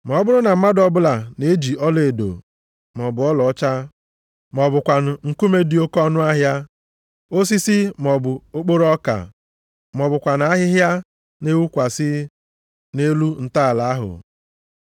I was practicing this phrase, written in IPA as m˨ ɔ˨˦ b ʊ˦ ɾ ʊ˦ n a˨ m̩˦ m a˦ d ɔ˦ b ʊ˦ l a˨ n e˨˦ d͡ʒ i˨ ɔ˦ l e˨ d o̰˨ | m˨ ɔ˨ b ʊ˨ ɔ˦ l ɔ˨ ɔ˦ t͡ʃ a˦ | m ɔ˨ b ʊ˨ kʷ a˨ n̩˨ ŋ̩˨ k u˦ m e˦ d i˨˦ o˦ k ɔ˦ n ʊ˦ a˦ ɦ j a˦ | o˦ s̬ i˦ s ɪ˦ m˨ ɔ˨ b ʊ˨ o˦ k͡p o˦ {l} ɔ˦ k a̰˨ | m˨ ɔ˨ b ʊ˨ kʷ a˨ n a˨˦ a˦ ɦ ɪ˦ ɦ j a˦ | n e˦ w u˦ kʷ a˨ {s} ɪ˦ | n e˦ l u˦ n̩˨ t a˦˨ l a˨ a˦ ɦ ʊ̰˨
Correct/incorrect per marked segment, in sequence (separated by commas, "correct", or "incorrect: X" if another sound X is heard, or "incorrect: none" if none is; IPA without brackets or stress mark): incorrect: ɾ, correct